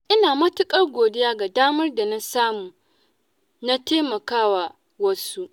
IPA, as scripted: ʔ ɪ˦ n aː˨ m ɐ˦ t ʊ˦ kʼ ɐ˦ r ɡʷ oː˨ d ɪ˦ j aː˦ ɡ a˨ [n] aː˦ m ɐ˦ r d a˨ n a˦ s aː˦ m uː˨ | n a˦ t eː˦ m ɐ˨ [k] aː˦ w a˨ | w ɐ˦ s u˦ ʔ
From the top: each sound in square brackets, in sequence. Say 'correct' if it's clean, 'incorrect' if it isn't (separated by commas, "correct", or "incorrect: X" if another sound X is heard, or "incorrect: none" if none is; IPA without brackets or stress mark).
incorrect: d, correct